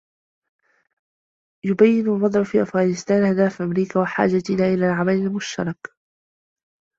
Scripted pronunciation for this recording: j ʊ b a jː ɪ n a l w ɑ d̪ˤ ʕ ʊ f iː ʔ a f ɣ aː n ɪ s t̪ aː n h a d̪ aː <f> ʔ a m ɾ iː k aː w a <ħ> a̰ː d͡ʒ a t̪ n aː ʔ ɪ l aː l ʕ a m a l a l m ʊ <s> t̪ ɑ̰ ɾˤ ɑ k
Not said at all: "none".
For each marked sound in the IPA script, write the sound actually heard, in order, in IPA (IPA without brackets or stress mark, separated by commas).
f, ħ, ʃ